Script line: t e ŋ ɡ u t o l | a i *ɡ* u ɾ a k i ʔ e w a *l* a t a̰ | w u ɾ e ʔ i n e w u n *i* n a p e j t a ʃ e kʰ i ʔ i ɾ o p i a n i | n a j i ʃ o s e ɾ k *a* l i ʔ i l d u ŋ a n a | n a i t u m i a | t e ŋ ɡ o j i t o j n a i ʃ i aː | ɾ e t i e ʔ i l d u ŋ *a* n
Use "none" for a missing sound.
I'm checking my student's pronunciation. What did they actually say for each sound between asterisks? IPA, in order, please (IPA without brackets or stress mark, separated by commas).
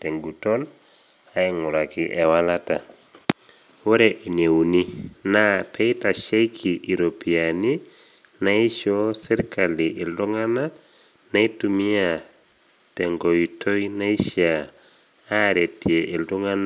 ŋ, l, i, a, a